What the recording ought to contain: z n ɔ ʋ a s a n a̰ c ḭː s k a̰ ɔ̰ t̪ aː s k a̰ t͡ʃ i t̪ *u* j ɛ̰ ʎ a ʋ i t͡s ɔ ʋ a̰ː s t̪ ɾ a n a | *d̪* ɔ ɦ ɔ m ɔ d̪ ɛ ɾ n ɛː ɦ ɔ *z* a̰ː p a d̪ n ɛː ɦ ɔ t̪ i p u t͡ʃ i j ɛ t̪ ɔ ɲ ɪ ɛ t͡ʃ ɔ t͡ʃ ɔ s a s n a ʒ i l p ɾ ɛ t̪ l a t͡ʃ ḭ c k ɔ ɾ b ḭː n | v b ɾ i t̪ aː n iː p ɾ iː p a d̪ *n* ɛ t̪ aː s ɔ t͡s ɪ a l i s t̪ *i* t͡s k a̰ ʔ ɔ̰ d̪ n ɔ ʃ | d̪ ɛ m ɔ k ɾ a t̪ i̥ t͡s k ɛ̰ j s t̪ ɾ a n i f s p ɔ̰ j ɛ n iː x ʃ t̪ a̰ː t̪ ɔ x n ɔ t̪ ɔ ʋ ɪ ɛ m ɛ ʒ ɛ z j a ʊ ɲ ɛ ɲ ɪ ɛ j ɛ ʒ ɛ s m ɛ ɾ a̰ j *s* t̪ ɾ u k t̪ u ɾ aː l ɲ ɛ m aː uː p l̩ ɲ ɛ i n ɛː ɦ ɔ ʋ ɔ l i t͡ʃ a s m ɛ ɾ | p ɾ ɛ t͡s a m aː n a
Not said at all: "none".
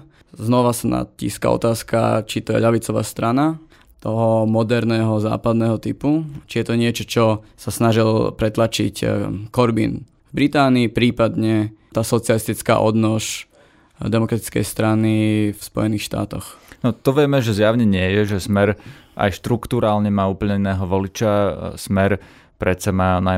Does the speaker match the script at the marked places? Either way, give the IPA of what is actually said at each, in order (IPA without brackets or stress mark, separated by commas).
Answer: ɔ, t̪, z, ɲ, i, ʃ